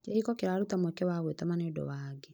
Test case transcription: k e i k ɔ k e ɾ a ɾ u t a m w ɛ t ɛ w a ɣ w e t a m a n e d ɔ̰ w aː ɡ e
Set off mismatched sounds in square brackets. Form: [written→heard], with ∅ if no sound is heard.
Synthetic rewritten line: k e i k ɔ k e ɾ a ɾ u t a m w ɛ [t→k] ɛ w a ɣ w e t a m a n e d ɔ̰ w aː ɡ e